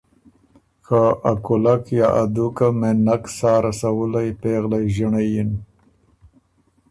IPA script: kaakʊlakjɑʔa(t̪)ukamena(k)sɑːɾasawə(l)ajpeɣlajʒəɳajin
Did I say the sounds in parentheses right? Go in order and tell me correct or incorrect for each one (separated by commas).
incorrect, correct, correct